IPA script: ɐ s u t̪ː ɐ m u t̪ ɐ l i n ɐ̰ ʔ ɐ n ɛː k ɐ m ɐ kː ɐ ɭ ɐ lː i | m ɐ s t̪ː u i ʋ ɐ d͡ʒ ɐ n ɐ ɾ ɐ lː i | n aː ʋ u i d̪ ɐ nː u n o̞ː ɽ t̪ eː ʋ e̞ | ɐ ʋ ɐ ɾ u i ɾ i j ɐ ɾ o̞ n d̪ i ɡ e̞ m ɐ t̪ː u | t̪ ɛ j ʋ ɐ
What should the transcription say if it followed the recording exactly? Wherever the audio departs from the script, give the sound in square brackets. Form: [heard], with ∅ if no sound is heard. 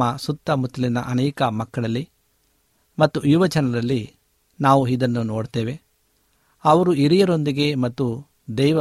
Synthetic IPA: ɐ s u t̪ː ɐ m u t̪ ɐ l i n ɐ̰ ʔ ɐ n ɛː k ɐ m ɐ kː ɐ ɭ ɐ lː i | m ɐ [∅] t̪ː u i ʋ ɐ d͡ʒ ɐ n ɐ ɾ ɐ lː i | n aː ʋ u i d̪ ɐ nː u n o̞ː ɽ t̪ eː ʋ e̞ | ɐ ʋ ɐ ɾ u i ɾ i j ɐ ɾ o̞ n d̪ i ɡ e̞ m ɐ t̪ː u | [d̪] ɛ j ʋ ɐ